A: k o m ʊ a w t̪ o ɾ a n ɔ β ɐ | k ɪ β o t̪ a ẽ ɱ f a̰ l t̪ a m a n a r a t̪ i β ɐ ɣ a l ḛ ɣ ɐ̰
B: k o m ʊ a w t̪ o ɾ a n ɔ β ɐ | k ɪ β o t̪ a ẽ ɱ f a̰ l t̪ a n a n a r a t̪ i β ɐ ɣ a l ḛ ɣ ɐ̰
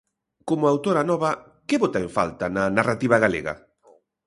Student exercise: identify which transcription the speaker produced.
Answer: B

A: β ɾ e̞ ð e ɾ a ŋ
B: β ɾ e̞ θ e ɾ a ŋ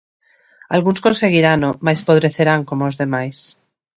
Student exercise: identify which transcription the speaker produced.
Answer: B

